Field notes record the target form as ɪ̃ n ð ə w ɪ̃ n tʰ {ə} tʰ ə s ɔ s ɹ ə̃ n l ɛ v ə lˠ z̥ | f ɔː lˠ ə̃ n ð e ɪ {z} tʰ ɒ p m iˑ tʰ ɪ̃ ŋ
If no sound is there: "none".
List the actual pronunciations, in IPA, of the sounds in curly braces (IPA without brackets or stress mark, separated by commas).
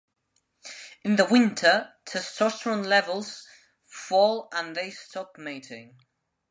ə, s